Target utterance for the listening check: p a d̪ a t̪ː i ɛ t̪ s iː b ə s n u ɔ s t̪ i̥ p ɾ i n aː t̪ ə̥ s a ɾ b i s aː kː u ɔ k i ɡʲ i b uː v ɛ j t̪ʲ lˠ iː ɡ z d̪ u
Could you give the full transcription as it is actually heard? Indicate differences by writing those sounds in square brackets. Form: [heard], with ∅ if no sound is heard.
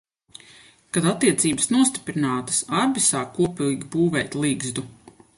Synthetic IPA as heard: [k] a d̪ a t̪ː i ɛ t̪ s iː b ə s n u ɔ s t̪ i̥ p ɾ i n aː t̪ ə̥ s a ɾ b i s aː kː u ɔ [p] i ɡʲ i b uː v ɛ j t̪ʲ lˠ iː ɡ z d̪ u